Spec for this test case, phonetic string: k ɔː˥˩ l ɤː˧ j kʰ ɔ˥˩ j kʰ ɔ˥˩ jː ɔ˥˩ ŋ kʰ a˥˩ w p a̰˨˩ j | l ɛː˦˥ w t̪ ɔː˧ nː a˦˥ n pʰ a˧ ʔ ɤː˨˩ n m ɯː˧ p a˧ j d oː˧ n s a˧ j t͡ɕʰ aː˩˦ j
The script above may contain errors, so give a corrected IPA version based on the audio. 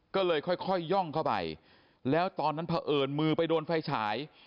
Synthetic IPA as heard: k ɔː˥˩ l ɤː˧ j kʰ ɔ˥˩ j kʰ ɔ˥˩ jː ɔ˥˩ ŋ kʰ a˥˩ w p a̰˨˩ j | l ɛː˦˥ w t̪ ɔː˧ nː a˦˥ n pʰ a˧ ʔ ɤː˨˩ n m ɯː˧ p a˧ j d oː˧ n f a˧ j t͡ɕʰ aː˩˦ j